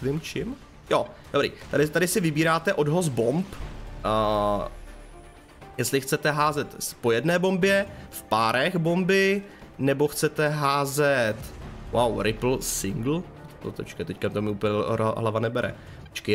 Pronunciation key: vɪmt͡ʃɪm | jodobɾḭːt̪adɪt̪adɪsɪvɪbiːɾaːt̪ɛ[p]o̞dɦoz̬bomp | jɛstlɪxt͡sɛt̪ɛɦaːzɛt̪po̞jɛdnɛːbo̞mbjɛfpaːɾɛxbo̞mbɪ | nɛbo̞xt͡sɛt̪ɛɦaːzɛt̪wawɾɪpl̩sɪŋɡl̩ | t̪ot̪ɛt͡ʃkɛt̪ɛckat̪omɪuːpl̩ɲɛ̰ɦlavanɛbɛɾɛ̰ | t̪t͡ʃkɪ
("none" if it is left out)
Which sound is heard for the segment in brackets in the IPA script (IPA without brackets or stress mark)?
ʔ